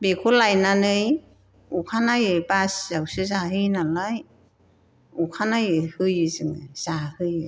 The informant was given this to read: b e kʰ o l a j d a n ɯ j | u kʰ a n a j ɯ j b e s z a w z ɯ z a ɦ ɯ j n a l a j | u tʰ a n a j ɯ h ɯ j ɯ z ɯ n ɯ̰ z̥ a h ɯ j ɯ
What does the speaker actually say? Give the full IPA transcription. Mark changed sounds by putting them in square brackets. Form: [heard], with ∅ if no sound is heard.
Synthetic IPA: b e kʰ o l a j [n] a n ɯ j | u kʰ a n a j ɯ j b [a] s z a w [s] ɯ z a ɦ ɯ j n a l a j | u [kʰ] a n a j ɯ h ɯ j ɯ z ɯ [ŋ] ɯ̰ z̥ a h ɯ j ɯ